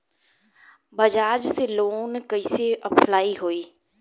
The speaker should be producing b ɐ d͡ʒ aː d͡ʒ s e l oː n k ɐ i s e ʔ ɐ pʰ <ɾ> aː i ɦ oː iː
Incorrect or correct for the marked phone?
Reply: incorrect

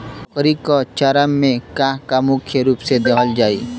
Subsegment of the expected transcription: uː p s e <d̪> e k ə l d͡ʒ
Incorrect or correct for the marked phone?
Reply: correct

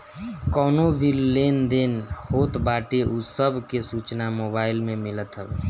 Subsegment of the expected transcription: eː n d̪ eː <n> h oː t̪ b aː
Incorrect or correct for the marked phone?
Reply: correct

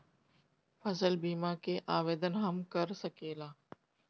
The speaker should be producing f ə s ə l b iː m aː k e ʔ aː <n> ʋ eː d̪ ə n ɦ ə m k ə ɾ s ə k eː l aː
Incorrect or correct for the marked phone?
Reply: incorrect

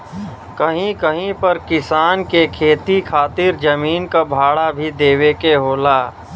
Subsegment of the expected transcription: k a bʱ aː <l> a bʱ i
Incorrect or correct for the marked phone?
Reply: incorrect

